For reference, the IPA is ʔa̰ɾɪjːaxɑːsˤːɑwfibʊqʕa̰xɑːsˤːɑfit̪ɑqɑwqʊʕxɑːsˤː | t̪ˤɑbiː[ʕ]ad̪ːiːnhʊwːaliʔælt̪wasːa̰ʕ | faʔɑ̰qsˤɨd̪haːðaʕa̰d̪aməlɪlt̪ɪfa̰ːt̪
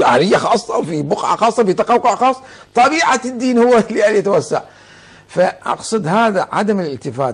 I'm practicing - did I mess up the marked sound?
no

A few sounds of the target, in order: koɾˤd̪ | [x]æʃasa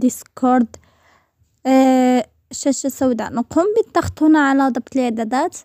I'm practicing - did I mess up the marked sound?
yes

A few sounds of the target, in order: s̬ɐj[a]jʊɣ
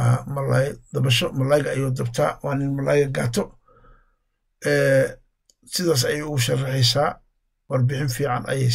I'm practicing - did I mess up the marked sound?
yes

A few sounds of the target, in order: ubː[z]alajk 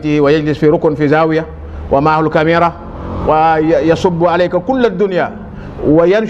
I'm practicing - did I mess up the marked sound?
yes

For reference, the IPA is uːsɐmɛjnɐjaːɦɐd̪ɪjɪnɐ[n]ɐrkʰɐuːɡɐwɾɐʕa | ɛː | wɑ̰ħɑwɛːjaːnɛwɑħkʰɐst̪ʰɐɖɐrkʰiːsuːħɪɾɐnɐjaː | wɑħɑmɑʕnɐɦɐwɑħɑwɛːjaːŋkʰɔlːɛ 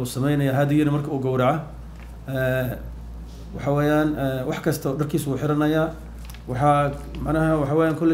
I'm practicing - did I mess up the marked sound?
yes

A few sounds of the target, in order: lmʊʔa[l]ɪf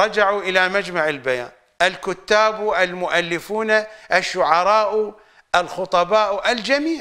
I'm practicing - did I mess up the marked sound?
yes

